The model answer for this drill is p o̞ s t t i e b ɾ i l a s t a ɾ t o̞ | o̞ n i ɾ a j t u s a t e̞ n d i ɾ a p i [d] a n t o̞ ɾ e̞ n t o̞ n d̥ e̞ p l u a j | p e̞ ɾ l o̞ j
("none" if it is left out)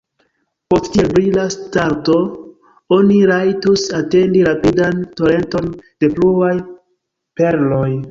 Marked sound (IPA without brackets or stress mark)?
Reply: d